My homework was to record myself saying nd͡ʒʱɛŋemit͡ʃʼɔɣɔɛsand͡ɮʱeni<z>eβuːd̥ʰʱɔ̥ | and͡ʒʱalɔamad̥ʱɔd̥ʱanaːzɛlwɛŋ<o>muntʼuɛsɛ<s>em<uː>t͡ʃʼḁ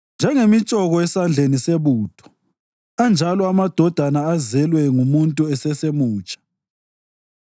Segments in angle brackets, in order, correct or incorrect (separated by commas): incorrect, incorrect, correct, correct